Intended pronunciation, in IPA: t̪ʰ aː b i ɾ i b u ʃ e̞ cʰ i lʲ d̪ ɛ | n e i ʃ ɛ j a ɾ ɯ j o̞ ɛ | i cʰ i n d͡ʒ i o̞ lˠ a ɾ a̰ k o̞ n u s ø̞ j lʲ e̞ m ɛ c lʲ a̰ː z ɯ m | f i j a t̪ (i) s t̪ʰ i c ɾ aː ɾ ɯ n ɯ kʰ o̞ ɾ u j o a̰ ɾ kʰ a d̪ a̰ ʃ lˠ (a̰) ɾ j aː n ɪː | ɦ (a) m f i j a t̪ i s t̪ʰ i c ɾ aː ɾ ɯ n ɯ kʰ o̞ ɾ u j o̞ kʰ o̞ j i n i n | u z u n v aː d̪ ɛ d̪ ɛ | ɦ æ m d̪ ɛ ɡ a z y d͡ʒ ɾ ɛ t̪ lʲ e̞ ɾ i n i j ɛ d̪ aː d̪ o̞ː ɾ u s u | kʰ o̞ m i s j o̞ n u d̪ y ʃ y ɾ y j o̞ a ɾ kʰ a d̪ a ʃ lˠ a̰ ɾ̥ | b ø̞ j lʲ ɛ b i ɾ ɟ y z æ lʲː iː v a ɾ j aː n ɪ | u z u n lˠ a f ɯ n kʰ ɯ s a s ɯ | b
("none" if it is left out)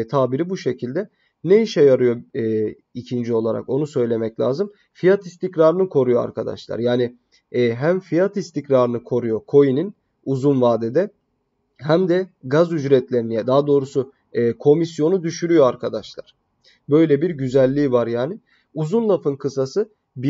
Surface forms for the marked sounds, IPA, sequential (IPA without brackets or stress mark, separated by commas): i, a̰, æ